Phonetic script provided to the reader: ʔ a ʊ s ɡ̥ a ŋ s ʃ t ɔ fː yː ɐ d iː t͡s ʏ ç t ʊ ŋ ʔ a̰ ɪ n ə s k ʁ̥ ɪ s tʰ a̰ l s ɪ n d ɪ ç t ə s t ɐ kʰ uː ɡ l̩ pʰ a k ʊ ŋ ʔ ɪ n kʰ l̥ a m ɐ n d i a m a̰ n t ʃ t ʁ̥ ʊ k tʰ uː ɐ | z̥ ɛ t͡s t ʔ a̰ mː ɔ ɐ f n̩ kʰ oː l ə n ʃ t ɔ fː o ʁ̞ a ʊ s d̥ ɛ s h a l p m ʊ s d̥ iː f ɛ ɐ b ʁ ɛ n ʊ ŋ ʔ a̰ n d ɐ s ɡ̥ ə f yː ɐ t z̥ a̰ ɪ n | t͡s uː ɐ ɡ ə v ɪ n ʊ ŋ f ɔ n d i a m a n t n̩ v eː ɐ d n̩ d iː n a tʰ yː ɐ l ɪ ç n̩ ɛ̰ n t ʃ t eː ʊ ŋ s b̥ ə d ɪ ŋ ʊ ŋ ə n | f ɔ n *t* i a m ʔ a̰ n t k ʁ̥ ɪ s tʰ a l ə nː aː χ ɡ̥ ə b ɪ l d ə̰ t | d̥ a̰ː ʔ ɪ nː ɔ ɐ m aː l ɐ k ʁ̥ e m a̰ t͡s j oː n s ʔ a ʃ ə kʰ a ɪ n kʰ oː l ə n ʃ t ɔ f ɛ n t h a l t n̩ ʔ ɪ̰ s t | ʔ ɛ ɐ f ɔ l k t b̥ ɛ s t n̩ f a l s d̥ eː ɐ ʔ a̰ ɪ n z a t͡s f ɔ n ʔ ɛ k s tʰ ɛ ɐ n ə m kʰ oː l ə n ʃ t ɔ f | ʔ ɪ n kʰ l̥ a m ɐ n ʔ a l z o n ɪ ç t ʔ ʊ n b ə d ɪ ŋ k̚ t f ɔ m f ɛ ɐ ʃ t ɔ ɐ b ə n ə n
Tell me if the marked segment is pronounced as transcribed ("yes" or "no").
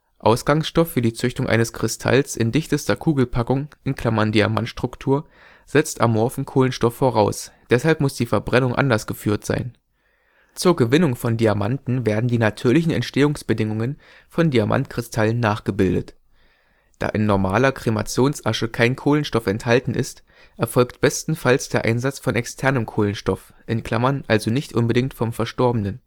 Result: no